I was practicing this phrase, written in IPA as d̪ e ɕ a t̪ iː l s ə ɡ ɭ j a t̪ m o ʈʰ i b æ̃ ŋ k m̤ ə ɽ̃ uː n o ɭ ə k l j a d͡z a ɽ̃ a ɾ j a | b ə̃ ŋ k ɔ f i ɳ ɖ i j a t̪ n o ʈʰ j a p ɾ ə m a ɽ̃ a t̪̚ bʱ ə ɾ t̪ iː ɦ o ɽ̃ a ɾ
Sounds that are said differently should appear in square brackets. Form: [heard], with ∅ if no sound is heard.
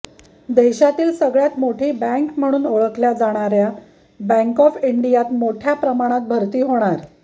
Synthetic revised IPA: d̪ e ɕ a t̪ iː l s ə ɡ ɭ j a t̪ m o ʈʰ [iː] b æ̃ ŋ k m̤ ə ɽ̃ uː n o ɭ ə k l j a d͡z a ɽ̃ a ɾ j a | b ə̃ ŋ k ɔ f i ɳ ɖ i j a t̪ [m] o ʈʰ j a p ɾ ə m a ɽ̃ a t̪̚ bʱ ə ɾ t̪ iː ɦ o ɽ̃ a ɾ

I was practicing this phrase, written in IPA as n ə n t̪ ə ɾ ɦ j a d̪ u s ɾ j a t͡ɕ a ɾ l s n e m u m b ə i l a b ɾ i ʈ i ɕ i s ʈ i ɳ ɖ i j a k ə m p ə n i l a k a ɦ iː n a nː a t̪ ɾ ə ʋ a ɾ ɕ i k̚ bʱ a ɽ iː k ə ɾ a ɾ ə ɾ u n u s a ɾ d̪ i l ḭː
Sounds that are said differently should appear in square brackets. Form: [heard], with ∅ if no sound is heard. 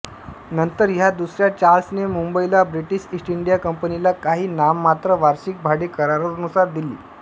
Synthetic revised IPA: n ə n t̪ ə ɾ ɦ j a d̪ u s ɾ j a t͡ɕ a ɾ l s n e m u m b ə i l a b ɾ i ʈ i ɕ i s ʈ i ɳ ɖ i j a k ə m p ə n i l a k a ɦ iː n a [mː] a t̪ ɾ ə ʋ a ɾ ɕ i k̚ bʱ a ɽ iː k ə ɾ a ɾ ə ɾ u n u s a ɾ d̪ i l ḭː

